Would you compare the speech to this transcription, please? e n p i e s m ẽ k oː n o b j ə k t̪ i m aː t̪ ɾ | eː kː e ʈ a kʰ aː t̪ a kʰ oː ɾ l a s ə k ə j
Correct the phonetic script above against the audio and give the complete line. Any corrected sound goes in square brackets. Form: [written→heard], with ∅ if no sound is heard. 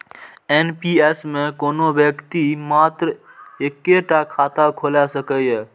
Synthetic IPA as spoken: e n p i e s m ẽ k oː n o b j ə k t̪ i m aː t̪ ɾ | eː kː e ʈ a kʰ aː t̪ a kʰ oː [ɾ→∅] l a s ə k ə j